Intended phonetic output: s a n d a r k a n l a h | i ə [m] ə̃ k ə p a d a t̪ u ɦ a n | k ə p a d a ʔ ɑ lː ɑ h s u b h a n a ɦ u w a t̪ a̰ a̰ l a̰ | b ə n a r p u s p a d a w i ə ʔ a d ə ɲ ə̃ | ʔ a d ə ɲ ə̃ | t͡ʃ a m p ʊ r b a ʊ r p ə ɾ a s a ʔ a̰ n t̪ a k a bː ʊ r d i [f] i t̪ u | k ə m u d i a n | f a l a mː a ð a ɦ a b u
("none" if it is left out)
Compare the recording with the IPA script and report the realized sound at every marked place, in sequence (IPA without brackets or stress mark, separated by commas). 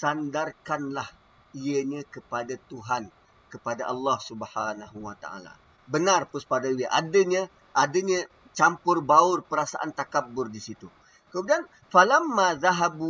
ɲ, s